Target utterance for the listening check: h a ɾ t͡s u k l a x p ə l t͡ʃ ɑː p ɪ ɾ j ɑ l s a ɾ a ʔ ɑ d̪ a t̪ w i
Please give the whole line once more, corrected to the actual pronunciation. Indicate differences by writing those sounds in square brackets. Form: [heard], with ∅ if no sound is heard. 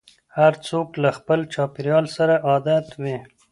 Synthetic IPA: h a ɾ t͡s [o] k l a x p ə l t͡ʃ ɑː p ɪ ɾ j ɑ l s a ɾ a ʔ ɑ d̪ a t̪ w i

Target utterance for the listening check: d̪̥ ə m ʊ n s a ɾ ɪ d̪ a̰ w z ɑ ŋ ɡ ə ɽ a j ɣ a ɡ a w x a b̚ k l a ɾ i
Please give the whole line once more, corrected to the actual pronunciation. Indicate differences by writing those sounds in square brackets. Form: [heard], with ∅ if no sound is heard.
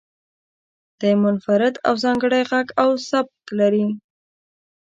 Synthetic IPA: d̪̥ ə m ʊ n [f] a ɾ ɪ d̪ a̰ w z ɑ ŋ ɡ ə ɽ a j ɣ a ɡ a w [s] a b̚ k l a ɾ i

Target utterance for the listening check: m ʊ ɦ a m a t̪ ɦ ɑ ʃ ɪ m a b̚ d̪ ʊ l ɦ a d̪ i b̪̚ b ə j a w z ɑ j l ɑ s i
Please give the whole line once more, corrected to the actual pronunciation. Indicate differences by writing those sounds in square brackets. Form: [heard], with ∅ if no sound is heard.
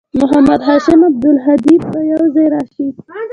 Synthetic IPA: m ʊ ɦ a m a [d̪] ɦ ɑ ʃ ɪ m a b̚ d̪ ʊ l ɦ a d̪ i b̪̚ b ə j a w z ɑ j [ɾ] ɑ [ʃ] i

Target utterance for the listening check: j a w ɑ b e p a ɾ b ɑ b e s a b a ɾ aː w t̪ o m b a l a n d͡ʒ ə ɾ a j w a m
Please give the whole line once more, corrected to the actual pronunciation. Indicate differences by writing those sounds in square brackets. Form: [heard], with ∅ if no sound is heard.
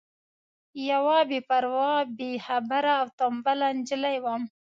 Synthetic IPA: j a w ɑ b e p a ɾ [w] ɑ b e [h] a b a ɾ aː w t̪ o m b a l a n d͡ʒ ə [l] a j w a m

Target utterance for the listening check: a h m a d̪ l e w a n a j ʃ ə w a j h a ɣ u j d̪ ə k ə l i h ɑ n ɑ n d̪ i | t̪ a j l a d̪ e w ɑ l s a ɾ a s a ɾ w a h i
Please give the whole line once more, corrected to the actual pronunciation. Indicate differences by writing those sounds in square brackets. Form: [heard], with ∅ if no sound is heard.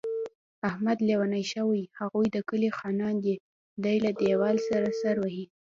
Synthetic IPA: a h m a d̪ l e w a n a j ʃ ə w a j h a ɣ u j d̪ ə k ə l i [x] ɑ n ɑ n d̪ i | [d̪] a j l a d̪ e w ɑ l s a ɾ a s a ɾ w a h i

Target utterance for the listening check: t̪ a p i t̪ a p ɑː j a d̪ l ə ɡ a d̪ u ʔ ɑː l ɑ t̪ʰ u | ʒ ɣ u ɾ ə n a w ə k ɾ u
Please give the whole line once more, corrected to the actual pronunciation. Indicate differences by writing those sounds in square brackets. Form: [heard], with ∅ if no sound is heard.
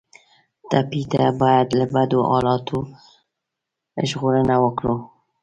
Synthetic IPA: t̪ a p i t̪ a [b] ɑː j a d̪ l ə [b] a d̪ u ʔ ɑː l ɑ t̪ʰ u | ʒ ɣ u ɾ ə n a w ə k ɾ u

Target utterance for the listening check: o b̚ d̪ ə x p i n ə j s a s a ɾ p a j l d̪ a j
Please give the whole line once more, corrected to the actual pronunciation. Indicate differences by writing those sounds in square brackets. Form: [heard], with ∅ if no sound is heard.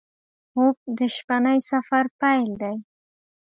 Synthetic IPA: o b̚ d̪ ə [ʃ] p [a] n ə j s a [f] a ɾ p a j l d̪ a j

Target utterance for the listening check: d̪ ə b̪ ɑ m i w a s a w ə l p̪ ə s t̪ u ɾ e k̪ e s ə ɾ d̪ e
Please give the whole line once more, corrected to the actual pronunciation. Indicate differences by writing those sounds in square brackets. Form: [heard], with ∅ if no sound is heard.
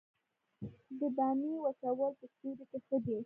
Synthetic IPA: d̪ ə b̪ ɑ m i w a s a w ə l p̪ ə s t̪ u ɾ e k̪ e [x] ə [∅] d̪ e

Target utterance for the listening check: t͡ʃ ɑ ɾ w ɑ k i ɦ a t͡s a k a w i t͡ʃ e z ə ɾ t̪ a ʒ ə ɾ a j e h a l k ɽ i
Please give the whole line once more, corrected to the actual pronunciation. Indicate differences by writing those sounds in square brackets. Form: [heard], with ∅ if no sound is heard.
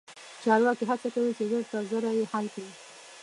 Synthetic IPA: t͡ʃ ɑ ɾ w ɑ k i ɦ a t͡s a k a w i t͡ʃ e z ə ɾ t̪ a [z] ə ɾ a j e h a l k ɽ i

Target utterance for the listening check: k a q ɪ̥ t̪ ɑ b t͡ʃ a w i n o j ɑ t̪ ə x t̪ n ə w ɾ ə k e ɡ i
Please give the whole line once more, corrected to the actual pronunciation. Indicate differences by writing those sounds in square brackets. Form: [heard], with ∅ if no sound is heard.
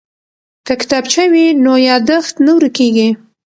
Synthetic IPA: k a [k] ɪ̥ t̪ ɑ b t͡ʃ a w i n o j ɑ [d̪] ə x t̪ n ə w ɾ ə k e ɡ i

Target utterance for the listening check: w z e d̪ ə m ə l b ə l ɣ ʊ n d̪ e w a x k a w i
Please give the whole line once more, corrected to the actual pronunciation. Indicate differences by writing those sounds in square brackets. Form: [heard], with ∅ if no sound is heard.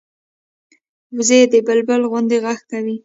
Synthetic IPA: w z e d̪ ə [b] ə l b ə l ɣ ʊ n d̪ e [ɣ] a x k a w i

